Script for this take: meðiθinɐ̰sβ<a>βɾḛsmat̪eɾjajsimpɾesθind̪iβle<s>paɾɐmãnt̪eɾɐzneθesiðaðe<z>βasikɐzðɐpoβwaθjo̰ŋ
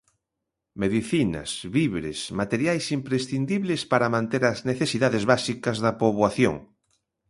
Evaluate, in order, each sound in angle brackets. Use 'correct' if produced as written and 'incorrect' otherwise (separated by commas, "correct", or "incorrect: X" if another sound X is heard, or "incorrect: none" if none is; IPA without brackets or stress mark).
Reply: incorrect: i, correct, correct